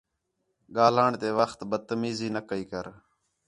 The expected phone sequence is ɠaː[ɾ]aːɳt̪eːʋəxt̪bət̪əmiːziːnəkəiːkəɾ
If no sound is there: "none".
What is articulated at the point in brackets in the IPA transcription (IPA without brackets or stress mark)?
l